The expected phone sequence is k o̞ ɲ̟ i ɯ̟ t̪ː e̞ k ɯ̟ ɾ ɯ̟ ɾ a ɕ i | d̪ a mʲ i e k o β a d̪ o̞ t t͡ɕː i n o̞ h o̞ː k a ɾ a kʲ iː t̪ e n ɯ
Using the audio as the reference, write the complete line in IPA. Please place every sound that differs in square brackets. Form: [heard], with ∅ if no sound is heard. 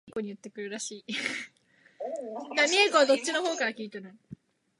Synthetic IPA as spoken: k o̞ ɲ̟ i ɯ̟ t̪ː e̞ k ɯ̟ ɾ ɯ̟ ɾ a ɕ [iː] | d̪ a mʲ i e k o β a d̪ o̞ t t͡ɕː i n o̞ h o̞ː k a ɾ a kʲ iː t̪ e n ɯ